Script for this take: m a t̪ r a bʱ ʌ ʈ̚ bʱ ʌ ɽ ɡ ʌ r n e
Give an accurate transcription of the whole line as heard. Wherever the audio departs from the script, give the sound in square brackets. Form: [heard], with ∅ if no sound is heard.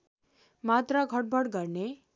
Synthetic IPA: m a t̪ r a [ɡʱ] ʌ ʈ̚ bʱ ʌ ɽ ɡ ʌ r n e